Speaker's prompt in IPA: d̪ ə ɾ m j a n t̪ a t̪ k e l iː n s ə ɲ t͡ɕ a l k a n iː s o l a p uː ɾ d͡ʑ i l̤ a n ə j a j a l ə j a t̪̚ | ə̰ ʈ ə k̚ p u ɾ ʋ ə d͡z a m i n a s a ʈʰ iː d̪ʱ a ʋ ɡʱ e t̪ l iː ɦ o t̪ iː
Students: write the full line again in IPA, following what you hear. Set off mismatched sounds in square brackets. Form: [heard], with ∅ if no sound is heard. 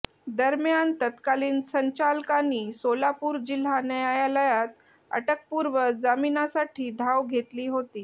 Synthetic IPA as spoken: d̪ ə ɾ m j a n t̪ [ə] t̪ k [a] l iː n s ə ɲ t͡ɕ a l k a n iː s o l a p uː ɾ d͡ʑ i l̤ a n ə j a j a l ə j a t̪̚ | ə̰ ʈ ə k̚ p u ɾ ʋ ə d͡z a m i n a s a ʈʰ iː d̪ʱ a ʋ ɡʱ e t̪ l iː ɦ o t̪ iː